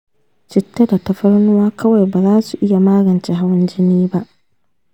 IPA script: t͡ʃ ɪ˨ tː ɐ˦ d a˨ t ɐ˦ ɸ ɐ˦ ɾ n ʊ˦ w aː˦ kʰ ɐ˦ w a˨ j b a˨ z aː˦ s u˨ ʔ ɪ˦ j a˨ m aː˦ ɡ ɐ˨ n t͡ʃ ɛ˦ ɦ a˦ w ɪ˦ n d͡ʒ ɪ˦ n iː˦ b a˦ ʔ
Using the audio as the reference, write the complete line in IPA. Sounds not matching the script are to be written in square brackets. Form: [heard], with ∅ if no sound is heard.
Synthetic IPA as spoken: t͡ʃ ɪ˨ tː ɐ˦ d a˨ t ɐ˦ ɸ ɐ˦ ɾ n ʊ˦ w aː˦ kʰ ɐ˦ w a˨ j b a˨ z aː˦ s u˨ ʔ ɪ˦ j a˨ m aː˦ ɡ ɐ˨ n t͡ʃ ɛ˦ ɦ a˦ w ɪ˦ n d͡ʒ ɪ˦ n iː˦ b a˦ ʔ